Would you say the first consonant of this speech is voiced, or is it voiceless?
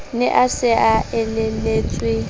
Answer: voiced